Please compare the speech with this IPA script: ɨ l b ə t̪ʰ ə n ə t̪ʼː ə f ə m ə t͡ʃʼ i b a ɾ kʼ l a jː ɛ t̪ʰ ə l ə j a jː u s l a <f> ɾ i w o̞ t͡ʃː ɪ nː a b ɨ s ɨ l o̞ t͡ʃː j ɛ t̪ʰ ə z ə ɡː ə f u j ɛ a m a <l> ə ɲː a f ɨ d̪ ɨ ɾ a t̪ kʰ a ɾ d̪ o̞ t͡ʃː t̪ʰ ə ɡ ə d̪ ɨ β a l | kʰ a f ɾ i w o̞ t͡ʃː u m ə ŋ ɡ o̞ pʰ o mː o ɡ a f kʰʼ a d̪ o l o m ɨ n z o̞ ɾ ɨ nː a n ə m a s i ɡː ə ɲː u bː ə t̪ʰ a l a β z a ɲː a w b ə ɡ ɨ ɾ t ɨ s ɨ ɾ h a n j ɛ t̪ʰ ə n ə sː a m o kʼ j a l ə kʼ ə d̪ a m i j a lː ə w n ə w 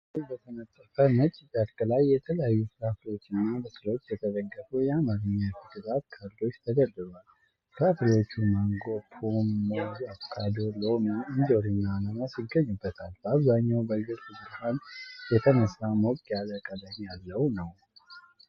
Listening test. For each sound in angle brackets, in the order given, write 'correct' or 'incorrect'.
correct, incorrect: ɾ

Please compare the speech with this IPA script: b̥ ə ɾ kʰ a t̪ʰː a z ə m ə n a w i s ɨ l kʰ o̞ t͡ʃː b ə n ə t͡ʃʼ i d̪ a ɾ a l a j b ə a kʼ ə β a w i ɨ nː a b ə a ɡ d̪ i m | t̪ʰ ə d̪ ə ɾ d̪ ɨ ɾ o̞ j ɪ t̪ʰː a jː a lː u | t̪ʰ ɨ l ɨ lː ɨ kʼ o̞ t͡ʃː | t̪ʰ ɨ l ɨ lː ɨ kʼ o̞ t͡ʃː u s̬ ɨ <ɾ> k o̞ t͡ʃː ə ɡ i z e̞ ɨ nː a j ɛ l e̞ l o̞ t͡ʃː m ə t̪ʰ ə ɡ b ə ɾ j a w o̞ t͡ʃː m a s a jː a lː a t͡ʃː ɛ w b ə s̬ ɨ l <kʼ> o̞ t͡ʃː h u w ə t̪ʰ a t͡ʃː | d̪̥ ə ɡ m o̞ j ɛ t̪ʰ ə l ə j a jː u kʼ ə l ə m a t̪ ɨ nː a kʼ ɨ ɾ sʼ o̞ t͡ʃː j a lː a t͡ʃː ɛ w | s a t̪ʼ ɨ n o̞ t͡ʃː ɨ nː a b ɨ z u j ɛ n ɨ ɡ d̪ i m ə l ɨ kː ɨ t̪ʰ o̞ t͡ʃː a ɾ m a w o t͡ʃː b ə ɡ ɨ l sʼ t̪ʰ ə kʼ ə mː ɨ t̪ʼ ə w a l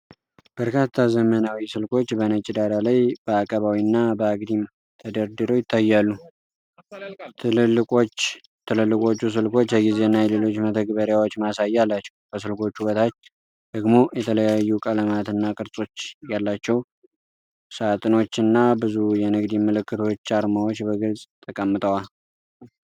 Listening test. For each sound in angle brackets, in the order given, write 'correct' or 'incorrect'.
incorrect: l, incorrect: k

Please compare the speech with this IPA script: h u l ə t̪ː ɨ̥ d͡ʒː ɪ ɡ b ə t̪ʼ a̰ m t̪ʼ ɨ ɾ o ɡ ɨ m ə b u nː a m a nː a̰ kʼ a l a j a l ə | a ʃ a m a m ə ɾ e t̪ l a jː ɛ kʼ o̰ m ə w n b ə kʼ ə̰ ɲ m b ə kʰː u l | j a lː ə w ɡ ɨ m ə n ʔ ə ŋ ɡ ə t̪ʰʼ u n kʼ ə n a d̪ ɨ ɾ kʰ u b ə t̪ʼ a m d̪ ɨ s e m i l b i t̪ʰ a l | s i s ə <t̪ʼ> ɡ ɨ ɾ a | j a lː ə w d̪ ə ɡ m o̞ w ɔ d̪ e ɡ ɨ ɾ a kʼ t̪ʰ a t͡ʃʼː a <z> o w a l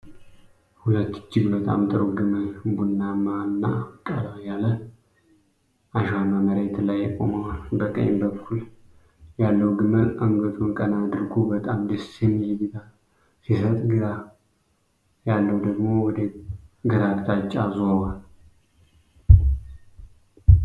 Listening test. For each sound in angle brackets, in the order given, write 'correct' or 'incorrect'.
correct, correct

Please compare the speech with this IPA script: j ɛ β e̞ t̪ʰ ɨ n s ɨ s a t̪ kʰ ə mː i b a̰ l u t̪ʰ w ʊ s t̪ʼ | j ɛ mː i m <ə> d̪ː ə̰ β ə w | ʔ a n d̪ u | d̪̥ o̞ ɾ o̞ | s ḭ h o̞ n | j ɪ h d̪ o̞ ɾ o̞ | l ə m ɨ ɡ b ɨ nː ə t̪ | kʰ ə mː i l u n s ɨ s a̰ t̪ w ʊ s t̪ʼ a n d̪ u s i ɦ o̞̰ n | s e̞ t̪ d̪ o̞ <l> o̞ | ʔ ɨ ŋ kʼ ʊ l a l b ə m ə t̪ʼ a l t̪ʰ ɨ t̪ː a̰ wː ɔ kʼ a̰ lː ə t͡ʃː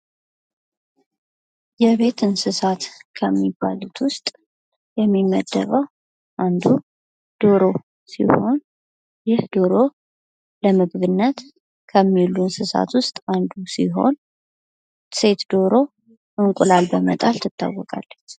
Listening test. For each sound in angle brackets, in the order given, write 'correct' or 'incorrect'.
correct, incorrect: ɾ

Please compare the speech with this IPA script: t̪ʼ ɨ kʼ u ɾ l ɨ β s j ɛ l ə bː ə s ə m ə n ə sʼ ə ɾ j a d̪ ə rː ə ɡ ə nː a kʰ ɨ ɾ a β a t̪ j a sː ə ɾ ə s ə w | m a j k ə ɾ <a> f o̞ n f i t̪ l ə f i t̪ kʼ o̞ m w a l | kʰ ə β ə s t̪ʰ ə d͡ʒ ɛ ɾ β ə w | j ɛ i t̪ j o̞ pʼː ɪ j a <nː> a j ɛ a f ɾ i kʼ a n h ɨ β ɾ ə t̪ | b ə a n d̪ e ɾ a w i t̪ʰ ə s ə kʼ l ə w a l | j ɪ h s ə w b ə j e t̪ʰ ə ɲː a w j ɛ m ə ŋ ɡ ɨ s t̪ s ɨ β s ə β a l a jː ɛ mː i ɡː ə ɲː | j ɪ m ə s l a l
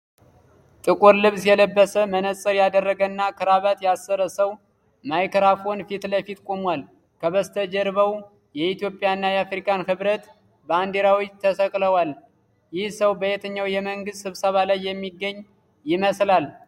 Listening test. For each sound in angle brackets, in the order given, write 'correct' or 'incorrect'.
correct, correct

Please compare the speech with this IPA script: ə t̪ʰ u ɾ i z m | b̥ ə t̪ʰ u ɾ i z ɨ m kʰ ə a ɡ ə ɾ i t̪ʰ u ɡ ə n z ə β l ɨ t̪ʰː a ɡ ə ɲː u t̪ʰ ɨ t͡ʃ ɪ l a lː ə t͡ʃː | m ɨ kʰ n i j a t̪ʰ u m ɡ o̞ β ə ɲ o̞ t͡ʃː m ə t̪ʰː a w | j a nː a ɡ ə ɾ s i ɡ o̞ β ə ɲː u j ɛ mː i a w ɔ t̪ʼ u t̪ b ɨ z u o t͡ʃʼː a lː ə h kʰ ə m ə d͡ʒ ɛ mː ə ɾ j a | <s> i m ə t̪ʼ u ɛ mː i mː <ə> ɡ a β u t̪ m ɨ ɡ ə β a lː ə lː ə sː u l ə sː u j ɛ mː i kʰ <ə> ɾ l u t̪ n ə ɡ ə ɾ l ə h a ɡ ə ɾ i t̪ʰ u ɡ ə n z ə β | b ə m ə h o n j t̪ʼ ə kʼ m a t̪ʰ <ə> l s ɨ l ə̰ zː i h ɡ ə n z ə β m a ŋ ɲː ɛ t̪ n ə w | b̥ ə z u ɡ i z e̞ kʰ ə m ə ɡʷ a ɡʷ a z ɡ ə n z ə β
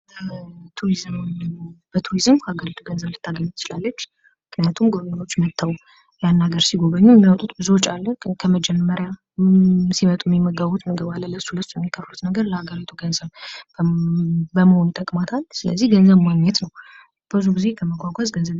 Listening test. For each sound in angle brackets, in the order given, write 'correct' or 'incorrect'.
correct, correct, correct, incorrect: a

